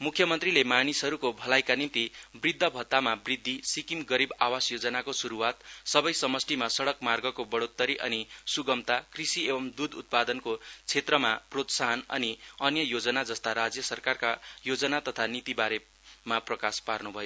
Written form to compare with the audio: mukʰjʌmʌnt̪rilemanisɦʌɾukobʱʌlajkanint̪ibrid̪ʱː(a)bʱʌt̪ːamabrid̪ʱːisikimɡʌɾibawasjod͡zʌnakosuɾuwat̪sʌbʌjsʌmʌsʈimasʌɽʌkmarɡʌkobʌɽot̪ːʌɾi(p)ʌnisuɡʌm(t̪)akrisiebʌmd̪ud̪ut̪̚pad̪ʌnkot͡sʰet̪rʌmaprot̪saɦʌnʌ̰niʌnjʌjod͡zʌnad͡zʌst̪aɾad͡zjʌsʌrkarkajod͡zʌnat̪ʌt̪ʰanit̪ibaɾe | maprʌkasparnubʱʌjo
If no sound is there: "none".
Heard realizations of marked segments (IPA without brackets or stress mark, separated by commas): ʌ, ʔ, t̪